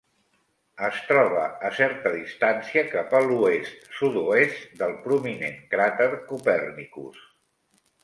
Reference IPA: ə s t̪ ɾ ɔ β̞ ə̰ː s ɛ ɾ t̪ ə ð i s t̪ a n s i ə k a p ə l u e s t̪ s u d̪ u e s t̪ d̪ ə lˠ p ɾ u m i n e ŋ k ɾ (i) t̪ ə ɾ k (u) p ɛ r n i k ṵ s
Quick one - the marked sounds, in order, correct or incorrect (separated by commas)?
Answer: incorrect, correct